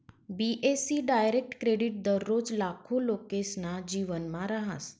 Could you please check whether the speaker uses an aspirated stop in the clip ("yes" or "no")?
yes